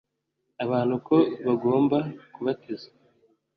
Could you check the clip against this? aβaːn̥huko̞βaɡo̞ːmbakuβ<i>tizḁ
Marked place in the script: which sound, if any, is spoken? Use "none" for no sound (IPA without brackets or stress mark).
a